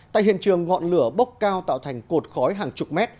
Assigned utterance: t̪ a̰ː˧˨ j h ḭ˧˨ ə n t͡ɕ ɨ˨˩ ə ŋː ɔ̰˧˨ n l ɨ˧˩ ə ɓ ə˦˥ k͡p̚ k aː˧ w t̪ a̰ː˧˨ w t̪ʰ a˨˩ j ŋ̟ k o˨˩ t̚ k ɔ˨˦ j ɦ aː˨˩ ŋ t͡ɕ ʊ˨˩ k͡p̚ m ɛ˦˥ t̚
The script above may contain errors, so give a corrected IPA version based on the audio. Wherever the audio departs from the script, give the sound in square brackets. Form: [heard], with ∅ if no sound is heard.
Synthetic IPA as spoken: t̪ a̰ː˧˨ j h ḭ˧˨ ə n t͡ɕ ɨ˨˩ ə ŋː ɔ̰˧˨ n l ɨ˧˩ ə ɓ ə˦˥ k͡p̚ k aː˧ w t̪ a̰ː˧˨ w t̪ʰ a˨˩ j ŋ̟ k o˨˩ t̚ [x] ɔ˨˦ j ɦ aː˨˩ ŋ t͡ɕ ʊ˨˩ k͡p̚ m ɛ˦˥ t̚